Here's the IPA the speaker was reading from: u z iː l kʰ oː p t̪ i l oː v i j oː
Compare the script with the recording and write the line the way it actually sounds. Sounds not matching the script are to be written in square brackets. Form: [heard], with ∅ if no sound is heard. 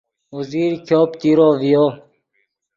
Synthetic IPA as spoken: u z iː [ɾ] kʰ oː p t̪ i [ɾ] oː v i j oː